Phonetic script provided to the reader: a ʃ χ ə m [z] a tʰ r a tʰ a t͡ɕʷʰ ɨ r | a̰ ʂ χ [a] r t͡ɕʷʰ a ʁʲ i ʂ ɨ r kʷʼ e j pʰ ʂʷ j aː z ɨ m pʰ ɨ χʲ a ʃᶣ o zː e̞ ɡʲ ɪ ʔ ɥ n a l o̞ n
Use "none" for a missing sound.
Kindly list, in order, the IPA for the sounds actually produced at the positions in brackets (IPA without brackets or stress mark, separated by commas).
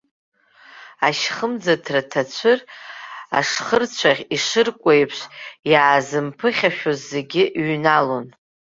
d͡z, ə